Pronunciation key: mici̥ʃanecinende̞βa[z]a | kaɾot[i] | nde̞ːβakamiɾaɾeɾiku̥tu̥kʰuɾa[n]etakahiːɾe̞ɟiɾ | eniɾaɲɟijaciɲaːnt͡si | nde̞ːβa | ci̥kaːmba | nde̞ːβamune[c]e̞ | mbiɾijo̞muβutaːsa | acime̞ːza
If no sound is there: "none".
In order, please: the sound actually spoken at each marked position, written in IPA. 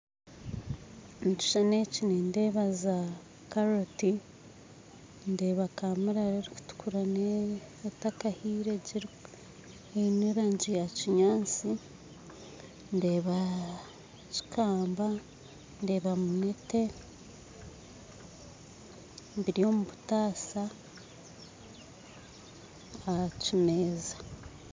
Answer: z, i, n, t

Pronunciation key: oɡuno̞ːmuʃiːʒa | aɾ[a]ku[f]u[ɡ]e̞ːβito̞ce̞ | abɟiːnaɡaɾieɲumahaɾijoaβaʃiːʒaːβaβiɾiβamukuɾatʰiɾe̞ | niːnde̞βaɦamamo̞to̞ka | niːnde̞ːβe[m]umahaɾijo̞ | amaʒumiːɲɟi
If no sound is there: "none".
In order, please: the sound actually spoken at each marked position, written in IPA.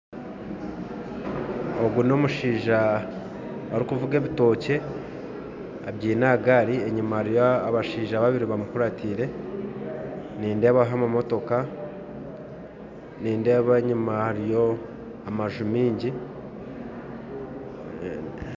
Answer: i, v, ɡ, ɲ

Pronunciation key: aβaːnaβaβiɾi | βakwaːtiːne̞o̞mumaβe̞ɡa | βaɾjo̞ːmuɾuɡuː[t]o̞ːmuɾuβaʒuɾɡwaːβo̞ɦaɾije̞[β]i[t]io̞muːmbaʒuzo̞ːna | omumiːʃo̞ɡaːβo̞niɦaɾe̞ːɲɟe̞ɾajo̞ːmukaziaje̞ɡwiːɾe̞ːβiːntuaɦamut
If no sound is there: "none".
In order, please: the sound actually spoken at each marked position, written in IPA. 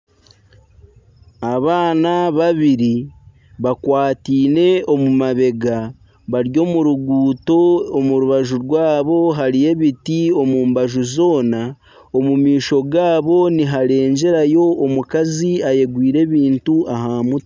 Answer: t, β, t

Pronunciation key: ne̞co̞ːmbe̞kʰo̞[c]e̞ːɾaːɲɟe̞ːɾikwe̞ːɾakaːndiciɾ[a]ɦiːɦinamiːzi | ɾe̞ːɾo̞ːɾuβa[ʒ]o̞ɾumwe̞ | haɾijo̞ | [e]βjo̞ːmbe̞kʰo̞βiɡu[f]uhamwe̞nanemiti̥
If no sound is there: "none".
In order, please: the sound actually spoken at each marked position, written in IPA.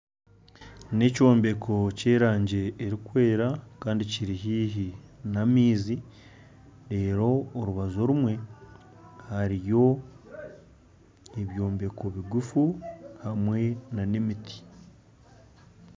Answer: c, i, z, e, f

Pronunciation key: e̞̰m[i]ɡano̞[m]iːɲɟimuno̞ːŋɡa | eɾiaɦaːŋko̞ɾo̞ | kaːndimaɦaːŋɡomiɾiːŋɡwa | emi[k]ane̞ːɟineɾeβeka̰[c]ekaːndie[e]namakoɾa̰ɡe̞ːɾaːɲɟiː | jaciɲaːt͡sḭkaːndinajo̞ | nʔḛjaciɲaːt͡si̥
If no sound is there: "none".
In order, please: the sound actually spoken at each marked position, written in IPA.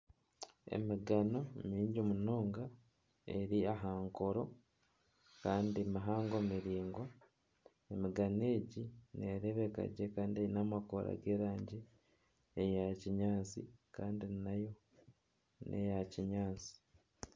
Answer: i, m, ɡ, ɟ, i

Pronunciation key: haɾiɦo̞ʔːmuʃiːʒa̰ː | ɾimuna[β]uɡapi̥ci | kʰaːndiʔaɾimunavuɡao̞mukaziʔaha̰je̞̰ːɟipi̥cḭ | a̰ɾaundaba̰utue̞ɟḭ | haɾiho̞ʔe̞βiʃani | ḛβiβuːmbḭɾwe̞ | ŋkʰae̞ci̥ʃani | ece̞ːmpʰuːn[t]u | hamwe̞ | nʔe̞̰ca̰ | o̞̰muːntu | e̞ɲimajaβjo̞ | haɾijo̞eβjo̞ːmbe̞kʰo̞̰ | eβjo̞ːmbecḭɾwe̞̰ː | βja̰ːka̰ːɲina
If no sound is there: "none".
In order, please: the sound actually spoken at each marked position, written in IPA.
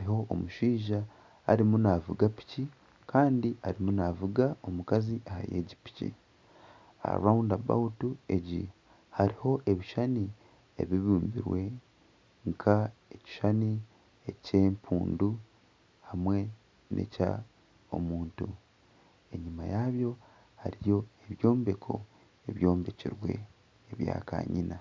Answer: v, d

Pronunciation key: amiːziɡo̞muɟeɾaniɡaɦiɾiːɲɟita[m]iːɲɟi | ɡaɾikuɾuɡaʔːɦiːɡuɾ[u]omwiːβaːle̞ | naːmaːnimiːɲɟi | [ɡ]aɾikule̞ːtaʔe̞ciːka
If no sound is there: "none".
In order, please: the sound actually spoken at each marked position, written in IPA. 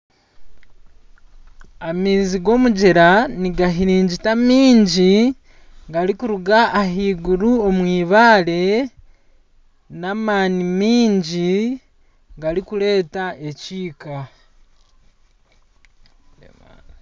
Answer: m, u, ɡ

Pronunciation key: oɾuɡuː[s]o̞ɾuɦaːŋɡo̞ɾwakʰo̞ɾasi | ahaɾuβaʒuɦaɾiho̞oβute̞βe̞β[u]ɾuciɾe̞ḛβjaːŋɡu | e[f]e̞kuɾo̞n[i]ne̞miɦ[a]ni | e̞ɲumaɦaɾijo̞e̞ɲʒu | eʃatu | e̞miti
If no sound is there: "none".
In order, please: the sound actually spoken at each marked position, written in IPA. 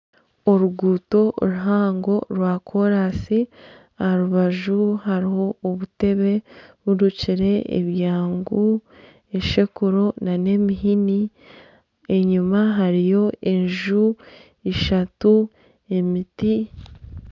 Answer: t, u, ʃ, a, i

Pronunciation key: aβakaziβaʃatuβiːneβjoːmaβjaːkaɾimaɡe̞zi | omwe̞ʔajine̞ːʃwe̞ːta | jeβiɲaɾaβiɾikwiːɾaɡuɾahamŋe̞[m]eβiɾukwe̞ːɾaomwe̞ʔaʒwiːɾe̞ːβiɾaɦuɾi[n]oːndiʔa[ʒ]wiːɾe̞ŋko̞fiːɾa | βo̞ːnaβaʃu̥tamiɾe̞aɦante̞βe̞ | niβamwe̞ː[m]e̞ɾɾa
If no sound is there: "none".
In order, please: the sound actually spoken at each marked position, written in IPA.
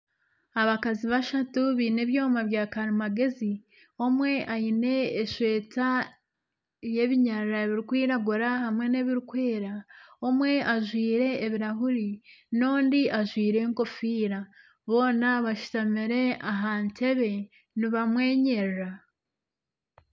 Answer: n, n, ʒ, ɲ

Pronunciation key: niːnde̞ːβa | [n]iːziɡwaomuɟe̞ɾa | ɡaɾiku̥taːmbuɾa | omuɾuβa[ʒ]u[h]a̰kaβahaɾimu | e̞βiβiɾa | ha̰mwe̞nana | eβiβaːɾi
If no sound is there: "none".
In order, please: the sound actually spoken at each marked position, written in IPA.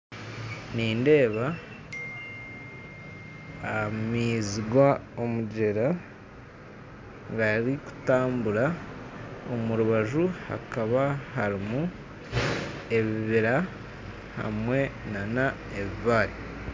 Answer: m, ʒ, h

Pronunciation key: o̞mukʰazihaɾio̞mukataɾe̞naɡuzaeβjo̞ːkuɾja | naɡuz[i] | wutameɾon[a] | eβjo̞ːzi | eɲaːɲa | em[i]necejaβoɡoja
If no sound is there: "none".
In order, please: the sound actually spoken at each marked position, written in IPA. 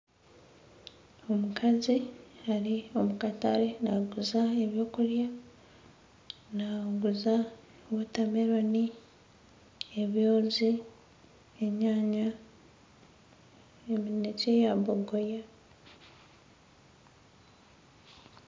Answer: a, i, i

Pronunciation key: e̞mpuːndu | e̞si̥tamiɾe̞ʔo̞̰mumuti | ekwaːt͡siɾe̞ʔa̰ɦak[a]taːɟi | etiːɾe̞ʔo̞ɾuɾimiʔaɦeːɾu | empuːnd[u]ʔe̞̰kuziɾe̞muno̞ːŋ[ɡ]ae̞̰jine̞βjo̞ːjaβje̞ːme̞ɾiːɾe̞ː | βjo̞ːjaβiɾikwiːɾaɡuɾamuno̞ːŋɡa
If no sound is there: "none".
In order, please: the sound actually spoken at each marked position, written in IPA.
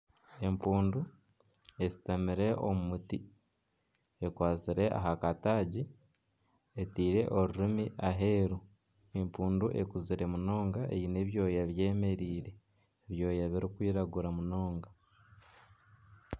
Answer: a, u, ɡ

